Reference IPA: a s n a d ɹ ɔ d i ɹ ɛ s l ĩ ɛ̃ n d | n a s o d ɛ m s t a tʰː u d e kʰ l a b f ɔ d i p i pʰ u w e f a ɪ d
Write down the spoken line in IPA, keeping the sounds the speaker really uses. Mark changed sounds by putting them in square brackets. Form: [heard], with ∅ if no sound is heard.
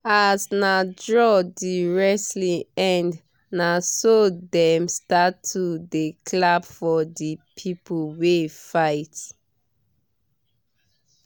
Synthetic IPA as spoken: a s n a d ɹ ɔ d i ɹ ɛ s l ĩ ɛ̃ n d | n a s o d ɛ m s t a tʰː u d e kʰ l a b f ɔ d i [pʰ] i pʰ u w e f a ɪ [t]